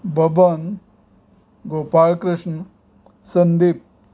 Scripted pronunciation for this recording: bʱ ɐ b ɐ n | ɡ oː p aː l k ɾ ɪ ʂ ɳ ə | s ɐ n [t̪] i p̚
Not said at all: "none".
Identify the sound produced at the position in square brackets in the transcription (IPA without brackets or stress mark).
d̪